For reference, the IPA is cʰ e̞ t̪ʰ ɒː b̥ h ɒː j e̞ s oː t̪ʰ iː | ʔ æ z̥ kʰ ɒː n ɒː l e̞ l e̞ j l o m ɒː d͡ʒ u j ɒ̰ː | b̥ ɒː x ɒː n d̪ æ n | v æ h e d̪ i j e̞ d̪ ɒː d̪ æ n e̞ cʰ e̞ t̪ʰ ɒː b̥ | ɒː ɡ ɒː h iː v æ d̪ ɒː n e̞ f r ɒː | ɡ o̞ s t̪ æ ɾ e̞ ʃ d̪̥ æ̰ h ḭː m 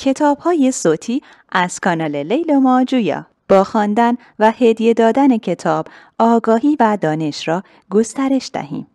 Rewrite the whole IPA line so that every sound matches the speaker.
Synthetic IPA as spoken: cʰ e̞ t̪ʰ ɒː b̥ h ɒː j e̞ s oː t̪ʰ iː | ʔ æ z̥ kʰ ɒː n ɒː l e̞ l e̞ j l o m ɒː d͡ʒ u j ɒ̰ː | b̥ ɒː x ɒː n d̪ æ n | v æ h e d̪ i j e̞ d̪ ɒː d̪ æ n e̞ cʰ e̞ t̪ʰ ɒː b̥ | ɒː ɡ ɒː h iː v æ d̪ ɒː n e̞ ʃ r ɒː | ɡ o̞ s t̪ æ ɾ e̞ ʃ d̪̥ æ̰ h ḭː m

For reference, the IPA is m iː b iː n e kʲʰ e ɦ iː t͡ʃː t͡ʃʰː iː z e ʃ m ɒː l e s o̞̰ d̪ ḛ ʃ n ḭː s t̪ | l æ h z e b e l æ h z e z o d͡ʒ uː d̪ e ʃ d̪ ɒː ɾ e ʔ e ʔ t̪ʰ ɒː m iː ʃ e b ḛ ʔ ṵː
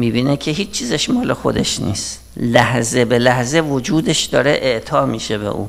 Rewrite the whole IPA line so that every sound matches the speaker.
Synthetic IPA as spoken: m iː b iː n e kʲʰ e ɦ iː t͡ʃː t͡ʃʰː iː z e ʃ m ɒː l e x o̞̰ d̪ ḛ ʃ n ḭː s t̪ | l æ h z e b e l æ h z e v o d͡ʒ uː d̪ e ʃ d̪ ɒː ɾ e ʔ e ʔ t̪ʰ ɒː m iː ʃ e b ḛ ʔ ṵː

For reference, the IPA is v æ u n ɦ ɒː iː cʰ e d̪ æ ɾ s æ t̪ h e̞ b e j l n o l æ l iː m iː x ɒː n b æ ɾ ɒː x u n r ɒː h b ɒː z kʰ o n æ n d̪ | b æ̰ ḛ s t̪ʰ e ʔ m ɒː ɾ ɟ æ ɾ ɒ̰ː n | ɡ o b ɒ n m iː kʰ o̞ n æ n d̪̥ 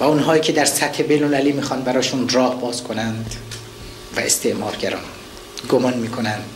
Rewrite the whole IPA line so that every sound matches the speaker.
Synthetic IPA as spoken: v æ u n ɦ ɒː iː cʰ e d̪ æ ɾ s æ t̪ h e̞ b e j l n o l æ l iː m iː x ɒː n b æ ɾ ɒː ʃ u n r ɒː h b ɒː z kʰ o n æ n d̪ | v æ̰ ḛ s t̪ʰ e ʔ m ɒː ɾ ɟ æ ɾ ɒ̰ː n | ɡ o m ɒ n m iː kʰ o̞ n æ n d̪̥

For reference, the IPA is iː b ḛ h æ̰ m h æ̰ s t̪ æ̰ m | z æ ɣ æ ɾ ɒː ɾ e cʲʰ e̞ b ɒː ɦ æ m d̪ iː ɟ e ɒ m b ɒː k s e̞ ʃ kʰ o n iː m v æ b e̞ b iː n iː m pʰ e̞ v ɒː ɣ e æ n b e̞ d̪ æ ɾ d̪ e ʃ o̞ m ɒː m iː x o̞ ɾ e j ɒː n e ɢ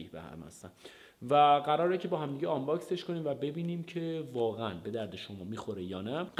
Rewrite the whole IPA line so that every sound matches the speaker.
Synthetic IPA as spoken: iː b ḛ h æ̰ m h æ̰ s t̪ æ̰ n | v æ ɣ æ ɾ ɒː ɾ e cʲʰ e̞ b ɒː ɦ æ m d̪ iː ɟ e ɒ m b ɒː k s e̞ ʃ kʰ o n iː m v æ b e̞ b iː n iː m cʰ e̞ v ɒː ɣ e æ n b e̞ d̪ æ ɾ d̪ e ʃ o̞ m ɒː m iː x o̞ ɾ e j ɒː n æ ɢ

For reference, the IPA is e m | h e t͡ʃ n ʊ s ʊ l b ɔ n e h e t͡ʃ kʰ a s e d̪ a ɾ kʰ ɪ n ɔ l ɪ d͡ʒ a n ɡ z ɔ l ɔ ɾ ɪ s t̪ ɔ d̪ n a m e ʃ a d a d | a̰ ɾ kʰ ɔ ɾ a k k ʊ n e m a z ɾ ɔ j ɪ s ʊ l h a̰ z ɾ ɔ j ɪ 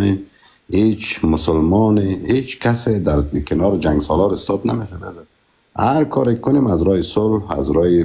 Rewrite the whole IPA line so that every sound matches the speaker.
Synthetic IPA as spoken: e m | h e t͡ʃ m ʊ s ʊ l m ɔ n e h e t͡ʃ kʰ a s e d̪ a ɾ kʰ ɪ n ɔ ɾ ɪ d͡ʒ a ŋ ɡ s ɔ l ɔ ɾ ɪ s t̪ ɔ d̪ n a m e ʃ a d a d | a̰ ɾ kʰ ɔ ɾ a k k ʊ n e m a z ɾ ɔ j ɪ s ʊ l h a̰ z ɾ ɔ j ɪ

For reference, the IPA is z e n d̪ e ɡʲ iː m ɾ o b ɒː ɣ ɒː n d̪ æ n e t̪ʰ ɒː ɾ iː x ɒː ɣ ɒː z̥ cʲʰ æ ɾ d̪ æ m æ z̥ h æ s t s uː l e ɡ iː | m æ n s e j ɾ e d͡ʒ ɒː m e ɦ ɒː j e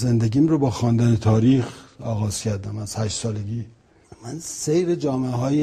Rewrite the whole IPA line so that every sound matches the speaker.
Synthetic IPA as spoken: z e n d̪ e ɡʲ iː m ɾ o b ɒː x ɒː n d̪ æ n e t̪ʰ ɒː ɾ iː x ɒː ɣ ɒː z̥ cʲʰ æ ɾ d̪ æ m æ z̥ h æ ʃ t s ɒː l e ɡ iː | m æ n s e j ɾ e d͡ʒ ɒː m e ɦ ɒː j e

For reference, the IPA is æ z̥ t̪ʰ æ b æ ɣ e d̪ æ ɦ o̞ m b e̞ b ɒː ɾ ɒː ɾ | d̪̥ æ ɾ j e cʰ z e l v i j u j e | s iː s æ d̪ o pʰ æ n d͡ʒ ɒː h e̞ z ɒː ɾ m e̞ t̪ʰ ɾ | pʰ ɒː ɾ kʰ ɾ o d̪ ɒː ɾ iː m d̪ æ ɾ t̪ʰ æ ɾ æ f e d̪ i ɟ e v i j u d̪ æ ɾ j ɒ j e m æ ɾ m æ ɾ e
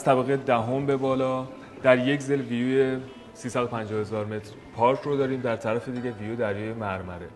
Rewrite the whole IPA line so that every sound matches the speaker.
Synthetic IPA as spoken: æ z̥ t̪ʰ æ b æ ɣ e d̪ æ ɦ o̞ m b e̞ b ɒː l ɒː | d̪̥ æ ɾ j e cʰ z e l v i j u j e | s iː s æ d̪ o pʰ æ n d͡ʒ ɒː h e̞ z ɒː ɾ m e̞ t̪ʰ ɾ | pʰ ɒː ɾ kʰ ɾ o d̪ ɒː ɾ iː m d̪ æ ɾ t̪ʰ æ ɾ æ f e d̪ i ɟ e v i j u d̪ æ ɾ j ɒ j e m æ ɾ m æ ɾ e

